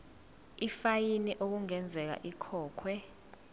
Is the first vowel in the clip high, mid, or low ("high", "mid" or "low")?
high